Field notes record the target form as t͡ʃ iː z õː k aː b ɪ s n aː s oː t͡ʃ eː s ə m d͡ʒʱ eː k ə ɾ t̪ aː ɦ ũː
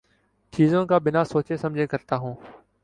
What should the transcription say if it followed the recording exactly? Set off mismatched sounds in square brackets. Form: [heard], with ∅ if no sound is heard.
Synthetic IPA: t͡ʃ iː z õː k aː b ɪ [∅] n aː s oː t͡ʃ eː s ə m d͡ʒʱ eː k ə ɾ t̪ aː ɦ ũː